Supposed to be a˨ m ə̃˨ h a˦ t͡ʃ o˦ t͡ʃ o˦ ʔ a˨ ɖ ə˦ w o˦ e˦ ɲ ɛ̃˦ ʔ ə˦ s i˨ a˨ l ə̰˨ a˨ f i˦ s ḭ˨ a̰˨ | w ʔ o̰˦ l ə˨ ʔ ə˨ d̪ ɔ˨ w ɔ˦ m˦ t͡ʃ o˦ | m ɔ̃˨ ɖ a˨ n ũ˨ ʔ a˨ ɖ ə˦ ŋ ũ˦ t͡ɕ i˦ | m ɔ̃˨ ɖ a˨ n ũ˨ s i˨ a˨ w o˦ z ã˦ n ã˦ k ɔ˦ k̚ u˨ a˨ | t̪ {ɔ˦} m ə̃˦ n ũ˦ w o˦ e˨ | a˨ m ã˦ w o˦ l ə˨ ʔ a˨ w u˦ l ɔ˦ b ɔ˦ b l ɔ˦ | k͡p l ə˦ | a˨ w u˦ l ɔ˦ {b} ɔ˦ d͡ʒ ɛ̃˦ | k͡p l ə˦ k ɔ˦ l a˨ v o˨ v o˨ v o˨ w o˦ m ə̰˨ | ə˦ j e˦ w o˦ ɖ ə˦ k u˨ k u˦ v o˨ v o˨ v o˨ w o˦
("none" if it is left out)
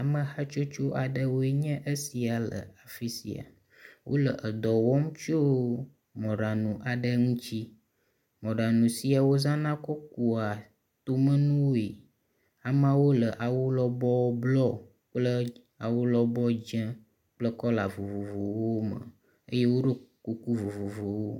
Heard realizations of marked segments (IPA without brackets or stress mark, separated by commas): o˦, b